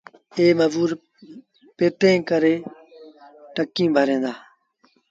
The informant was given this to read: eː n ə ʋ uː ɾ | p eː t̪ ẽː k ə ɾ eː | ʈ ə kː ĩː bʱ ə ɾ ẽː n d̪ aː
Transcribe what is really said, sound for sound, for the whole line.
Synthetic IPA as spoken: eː m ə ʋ uː ɾ | p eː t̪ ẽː k ə ɾ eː | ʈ ə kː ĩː bʱ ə ɾ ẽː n d̪ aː